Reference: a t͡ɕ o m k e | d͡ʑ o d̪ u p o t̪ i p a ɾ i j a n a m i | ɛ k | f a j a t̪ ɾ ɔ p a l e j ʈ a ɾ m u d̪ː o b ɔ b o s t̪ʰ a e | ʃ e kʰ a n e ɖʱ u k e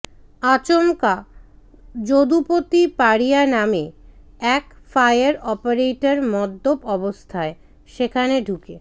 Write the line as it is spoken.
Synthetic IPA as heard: a t͡ɕ o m k a | d͡ʑ o d̪ u p o t̪ i p a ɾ i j a n a m e | ɛ k | f a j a ɾ ɔ p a ɾ e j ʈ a ɾ m ɔ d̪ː o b ɔ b o s t̪ʰ a e | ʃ e kʰ a n e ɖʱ u k e